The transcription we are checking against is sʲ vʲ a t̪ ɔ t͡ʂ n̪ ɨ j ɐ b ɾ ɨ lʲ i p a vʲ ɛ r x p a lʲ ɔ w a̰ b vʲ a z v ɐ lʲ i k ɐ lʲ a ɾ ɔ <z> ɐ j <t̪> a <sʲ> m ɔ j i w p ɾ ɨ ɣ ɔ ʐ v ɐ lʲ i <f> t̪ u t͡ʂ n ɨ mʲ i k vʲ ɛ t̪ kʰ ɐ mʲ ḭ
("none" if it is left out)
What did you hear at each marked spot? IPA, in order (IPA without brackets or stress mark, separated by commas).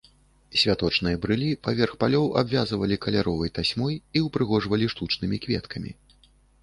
v, t̪, sʲ, ʂ